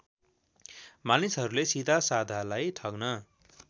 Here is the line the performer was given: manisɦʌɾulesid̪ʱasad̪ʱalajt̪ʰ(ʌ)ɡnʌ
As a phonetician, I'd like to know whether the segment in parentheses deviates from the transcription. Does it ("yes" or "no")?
no